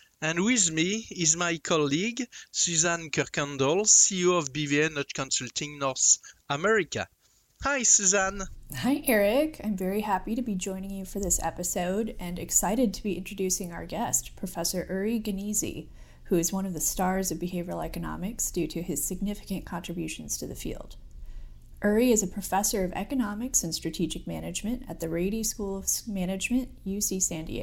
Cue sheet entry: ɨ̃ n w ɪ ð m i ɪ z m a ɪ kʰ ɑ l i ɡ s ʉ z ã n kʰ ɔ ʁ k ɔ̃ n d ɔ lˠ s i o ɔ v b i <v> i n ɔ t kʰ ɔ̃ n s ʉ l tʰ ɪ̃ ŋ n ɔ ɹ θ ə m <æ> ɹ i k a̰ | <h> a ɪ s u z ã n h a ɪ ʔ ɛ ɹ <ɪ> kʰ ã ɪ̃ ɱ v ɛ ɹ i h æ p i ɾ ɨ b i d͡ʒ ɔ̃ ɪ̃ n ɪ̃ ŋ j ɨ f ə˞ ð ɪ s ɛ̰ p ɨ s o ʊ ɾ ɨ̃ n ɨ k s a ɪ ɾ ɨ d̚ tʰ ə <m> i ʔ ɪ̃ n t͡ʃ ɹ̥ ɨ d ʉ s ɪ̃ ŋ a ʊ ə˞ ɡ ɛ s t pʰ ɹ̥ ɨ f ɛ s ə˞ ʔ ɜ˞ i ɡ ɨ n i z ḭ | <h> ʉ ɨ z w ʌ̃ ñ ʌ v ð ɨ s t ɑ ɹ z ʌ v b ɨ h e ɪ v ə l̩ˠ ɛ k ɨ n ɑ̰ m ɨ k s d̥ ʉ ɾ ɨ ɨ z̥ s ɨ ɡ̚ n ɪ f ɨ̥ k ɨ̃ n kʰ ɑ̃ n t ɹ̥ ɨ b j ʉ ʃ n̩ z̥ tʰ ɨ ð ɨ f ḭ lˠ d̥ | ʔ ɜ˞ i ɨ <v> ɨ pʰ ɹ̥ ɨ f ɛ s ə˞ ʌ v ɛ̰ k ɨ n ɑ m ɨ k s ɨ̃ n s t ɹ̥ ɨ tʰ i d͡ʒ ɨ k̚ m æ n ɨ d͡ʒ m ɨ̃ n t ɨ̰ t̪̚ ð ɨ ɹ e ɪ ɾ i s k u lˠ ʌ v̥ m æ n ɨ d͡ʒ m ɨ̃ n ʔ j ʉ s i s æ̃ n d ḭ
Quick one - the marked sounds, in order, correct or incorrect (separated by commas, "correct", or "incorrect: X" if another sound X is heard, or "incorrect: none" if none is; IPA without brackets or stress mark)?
correct, incorrect: ɛ, correct, correct, incorrect: b, correct, incorrect: z